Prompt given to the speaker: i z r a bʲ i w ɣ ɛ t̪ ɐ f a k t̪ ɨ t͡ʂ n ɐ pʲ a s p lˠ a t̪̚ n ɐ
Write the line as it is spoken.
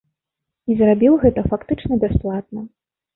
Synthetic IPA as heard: i z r a bʲ i w ɣ ɛ t̪ ɐ f a k t̪ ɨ t͡ʂ n ɐ bʲ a s p lˠ a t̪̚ n ɐ